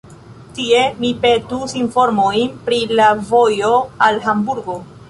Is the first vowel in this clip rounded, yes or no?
no